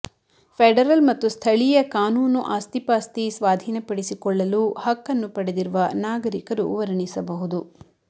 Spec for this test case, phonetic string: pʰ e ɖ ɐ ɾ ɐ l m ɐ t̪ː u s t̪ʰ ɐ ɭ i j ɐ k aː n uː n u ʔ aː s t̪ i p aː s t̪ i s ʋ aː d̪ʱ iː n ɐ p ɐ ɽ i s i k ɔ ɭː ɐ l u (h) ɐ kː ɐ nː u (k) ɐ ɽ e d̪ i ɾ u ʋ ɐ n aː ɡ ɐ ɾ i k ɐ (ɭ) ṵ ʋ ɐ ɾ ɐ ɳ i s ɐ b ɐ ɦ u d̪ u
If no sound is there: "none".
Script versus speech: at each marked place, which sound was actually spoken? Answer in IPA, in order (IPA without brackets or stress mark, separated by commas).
h, p, ɾ